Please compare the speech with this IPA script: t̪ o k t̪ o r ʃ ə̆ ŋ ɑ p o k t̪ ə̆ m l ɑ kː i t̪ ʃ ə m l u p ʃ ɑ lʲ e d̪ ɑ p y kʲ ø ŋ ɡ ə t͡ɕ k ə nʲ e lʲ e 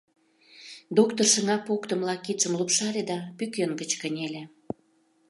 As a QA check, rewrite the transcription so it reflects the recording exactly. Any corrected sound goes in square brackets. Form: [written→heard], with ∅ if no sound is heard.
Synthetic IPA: [t̪→d̪] o k t̪ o r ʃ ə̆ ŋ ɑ p o k t̪ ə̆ m l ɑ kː i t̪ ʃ ə m l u p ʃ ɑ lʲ e d̪ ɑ p y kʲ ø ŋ ɡ ə t͡ɕ k ə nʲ e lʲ e